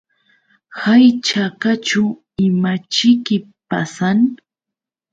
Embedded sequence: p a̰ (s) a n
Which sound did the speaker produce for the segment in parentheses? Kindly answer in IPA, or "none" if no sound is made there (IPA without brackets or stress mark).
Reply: s